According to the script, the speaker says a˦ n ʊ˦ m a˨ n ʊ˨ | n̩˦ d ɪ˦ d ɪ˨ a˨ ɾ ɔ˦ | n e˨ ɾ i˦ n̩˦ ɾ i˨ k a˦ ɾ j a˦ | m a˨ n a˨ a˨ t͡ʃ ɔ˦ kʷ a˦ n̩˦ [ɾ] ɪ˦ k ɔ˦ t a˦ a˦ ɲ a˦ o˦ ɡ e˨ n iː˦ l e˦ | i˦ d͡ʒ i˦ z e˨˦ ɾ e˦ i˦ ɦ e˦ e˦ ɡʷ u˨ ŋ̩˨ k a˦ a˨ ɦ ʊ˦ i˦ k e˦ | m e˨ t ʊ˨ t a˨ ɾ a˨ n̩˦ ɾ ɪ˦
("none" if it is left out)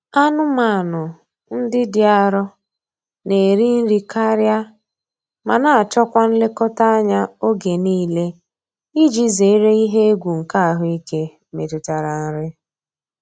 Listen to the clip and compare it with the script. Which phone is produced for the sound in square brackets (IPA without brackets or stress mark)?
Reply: l